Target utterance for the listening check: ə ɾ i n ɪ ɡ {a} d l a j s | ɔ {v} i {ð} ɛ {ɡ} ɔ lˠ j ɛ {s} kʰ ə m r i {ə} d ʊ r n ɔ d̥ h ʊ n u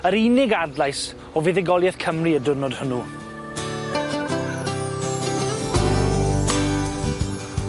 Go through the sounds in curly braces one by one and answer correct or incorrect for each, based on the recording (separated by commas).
correct, correct, correct, correct, incorrect, correct